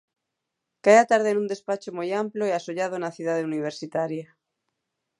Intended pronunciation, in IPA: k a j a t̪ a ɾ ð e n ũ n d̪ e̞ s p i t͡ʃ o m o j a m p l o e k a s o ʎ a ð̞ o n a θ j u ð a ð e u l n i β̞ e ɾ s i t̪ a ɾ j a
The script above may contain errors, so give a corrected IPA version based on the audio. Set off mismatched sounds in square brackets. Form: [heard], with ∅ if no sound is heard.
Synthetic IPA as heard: k a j a t̪ a ɾ ð e n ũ n d̪ e̞ s p [a] t͡ʃ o m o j a m p l o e [∅] a s o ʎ a ð̞ o n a θ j u ð a ð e u [∅] n i β̞ e ɾ s i t̪ a ɾ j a